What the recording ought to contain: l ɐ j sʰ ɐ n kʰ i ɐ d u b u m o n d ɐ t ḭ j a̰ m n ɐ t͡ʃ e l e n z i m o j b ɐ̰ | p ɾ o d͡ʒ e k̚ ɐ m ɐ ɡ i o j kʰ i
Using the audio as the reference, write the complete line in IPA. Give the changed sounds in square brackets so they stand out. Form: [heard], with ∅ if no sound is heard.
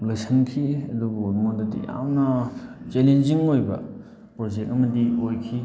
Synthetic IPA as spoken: l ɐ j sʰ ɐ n kʰ i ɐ d u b u m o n d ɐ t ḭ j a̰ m n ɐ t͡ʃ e l e n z i [ŋ] o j b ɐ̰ | p ɾ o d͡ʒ e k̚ ɐ m ɐ [d] i o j kʰ i